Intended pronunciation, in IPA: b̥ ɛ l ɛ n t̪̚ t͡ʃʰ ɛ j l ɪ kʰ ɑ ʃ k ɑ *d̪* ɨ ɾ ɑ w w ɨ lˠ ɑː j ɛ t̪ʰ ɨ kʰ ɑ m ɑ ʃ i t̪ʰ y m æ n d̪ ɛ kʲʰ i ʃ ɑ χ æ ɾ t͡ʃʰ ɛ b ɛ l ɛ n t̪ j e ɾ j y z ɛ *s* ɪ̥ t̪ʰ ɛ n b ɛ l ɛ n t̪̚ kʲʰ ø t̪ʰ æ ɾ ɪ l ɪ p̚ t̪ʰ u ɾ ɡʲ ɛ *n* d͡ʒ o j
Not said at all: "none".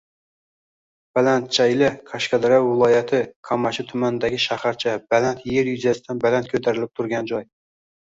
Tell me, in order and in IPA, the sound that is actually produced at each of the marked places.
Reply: d̪, s, n

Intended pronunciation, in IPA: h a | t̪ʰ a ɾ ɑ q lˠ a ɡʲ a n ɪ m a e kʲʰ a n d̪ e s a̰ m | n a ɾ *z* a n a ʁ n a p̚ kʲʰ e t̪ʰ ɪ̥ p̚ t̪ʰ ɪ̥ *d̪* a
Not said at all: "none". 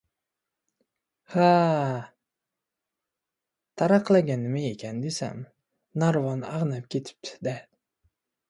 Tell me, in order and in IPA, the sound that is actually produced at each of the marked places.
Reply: v, d̪

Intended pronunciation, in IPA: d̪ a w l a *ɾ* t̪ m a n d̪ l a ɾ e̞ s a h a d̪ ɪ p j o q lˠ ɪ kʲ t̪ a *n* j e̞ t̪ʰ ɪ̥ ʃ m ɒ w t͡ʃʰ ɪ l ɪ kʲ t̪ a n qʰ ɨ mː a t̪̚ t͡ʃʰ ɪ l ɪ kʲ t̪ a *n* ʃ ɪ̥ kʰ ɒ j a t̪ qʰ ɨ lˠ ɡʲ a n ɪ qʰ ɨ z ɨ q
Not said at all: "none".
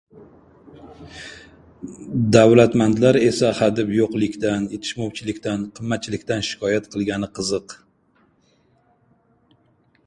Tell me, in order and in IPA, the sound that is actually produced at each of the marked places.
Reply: none, n, n

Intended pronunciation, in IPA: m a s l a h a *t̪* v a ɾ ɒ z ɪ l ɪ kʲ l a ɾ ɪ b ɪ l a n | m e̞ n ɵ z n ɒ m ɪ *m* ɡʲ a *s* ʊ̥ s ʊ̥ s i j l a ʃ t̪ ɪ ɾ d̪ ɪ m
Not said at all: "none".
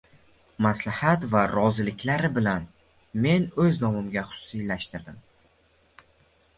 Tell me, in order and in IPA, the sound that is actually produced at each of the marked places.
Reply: t̪, m, χ

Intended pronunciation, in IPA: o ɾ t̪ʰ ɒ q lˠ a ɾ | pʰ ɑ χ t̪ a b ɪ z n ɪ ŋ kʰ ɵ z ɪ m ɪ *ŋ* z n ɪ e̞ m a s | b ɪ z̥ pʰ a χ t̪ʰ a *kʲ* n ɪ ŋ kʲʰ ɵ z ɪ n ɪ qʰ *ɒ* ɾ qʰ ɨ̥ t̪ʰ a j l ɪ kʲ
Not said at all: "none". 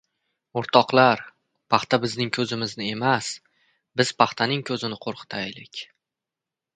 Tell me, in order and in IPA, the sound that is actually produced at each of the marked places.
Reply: none, none, o

